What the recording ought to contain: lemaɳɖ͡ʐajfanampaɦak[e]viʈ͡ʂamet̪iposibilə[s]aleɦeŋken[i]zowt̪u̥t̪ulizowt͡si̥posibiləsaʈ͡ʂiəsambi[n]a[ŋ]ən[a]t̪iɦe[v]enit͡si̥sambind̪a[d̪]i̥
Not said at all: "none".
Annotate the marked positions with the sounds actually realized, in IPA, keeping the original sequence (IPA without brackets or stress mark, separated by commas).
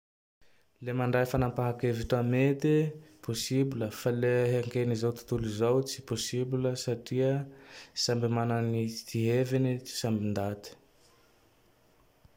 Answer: e, f, i, m, n, i, v, t̪